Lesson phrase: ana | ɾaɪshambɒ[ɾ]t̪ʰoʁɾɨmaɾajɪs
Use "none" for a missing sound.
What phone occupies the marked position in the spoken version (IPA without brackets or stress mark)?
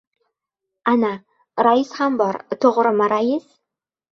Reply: ɾ